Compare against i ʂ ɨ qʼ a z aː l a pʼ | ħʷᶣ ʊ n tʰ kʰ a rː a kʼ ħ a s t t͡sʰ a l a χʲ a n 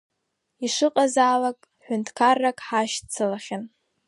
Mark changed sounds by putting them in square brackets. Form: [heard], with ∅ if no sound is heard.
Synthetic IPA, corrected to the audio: i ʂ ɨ qʼ a z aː l a [kʼ] | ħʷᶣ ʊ n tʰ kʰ a rː a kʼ ħ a [ʃ] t t͡sʰ a l a χʲ a n